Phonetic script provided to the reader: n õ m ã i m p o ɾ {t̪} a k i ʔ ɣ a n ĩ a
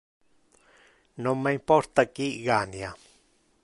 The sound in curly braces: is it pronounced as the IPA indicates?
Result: yes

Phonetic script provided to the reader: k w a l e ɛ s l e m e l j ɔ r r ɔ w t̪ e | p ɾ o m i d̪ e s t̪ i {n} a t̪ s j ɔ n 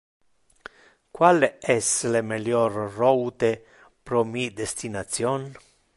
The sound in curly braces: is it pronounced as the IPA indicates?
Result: yes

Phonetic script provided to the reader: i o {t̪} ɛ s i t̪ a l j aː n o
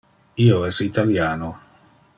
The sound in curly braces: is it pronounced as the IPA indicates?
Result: no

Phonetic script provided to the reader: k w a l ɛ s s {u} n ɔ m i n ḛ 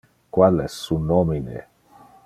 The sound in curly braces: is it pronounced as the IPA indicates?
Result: yes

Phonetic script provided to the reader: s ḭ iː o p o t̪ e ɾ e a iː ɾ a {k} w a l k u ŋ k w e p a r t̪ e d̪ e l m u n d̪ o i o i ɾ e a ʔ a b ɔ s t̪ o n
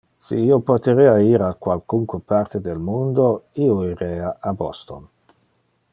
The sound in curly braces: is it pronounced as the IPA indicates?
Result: yes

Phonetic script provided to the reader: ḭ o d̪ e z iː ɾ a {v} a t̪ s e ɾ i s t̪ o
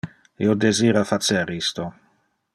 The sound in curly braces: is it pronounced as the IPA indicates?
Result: no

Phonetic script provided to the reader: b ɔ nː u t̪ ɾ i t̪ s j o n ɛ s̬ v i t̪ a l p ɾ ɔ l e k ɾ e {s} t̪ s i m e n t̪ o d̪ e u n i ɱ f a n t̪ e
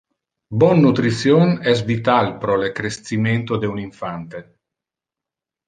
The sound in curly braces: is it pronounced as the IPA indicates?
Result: yes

